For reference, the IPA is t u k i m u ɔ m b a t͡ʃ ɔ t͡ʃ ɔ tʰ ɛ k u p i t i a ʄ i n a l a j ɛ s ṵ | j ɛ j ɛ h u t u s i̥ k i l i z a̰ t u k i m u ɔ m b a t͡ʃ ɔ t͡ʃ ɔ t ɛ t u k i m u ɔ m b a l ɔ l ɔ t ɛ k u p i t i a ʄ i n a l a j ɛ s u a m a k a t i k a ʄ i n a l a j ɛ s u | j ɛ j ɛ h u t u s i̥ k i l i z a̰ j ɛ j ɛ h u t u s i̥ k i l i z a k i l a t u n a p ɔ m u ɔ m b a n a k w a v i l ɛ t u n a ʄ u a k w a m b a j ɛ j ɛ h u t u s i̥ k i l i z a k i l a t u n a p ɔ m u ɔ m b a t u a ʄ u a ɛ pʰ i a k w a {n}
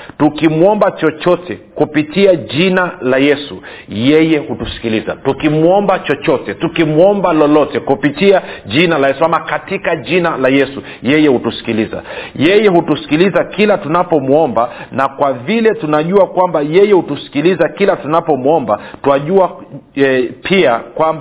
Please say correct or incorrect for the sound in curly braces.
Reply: incorrect